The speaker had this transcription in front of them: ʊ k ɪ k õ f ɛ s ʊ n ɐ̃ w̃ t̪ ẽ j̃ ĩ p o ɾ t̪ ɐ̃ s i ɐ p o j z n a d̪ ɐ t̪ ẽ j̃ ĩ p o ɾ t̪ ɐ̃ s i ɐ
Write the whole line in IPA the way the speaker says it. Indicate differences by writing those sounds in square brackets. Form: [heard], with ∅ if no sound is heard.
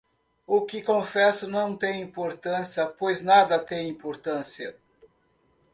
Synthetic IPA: ʊ k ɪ k õ f ɛ s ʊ n ɐ̃ w̃ t̪ ẽ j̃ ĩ p o ɾ t̪ ɐ̃ s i ɐ p o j z n a d̪ ɐ t̪ ẽ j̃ ĩ p o ɾ t̪ ɐ̃ s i ɐ